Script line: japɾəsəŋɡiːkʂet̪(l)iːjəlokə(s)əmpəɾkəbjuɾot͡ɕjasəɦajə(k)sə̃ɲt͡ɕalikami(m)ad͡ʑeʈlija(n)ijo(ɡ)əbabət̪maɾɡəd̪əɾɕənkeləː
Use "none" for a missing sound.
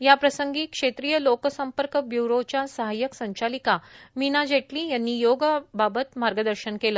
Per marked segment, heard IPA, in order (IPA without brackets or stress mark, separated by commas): ɾ, s, k, n, nː, ɡ